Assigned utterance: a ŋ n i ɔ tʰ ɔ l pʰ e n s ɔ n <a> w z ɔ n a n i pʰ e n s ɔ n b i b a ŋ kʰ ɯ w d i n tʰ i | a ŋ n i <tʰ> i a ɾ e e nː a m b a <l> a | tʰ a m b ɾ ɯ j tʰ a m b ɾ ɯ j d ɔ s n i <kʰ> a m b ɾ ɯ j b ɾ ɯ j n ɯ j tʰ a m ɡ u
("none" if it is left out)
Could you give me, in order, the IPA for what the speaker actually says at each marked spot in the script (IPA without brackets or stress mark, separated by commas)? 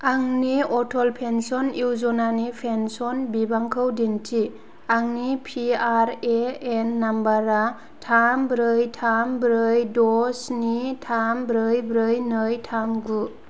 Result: i, pʰ, ɾ, tʰ